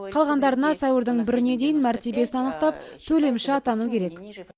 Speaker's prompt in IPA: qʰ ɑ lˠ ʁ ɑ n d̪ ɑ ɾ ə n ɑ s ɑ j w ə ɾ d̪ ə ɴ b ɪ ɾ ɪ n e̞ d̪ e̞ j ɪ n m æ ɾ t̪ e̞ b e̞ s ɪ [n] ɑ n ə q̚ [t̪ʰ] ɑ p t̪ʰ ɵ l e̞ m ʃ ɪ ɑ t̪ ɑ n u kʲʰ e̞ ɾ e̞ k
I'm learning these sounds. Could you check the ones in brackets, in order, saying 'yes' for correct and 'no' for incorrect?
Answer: yes, no

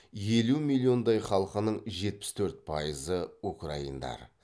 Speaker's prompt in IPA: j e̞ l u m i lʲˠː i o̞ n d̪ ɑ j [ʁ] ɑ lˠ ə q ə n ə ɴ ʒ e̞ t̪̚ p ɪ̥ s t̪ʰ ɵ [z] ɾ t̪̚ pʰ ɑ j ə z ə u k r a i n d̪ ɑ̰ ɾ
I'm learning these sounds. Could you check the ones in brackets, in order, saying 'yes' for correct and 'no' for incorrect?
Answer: no, no

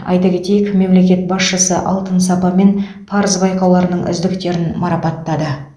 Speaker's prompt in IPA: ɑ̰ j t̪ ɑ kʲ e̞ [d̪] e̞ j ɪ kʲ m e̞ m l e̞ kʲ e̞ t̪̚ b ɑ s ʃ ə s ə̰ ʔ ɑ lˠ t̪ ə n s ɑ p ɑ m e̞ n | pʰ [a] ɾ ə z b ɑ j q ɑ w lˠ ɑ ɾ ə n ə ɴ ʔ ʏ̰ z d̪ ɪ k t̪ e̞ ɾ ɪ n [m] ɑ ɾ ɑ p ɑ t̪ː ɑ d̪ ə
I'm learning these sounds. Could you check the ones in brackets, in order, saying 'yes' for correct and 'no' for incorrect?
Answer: no, no, yes

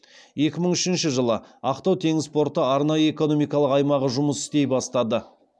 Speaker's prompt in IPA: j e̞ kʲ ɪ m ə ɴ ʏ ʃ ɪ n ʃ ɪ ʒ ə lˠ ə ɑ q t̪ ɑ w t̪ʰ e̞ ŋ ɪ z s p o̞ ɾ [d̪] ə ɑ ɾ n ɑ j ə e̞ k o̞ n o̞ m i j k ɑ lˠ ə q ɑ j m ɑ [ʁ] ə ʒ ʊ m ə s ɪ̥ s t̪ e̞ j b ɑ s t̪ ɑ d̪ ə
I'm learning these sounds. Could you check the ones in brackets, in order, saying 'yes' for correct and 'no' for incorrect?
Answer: no, yes

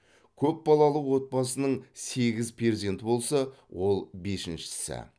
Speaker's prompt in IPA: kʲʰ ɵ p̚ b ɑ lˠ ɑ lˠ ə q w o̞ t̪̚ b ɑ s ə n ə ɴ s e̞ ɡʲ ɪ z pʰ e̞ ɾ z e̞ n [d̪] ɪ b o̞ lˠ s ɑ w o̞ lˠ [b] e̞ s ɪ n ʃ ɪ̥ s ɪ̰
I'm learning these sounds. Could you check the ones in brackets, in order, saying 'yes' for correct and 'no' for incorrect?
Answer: no, yes

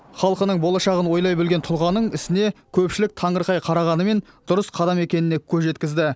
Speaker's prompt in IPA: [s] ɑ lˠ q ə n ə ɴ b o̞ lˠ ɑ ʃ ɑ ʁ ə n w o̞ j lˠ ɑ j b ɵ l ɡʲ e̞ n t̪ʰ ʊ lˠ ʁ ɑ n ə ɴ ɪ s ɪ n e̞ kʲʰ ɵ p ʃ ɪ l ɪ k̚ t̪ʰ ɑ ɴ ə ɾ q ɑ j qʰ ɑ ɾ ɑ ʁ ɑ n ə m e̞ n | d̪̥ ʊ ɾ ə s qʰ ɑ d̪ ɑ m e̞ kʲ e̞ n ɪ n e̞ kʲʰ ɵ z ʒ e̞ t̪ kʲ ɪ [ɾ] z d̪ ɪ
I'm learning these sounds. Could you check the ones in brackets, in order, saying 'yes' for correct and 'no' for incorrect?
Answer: no, no

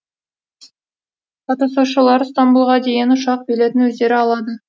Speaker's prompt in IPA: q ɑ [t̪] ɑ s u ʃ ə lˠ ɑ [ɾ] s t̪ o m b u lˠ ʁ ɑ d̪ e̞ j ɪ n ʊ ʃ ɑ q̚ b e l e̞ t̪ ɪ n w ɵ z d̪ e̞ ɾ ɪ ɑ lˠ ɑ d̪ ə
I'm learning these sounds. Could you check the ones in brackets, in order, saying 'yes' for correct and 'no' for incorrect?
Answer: yes, yes

